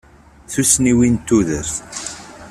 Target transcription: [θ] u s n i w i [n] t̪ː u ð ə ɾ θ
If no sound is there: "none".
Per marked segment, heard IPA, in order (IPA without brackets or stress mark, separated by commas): θ, n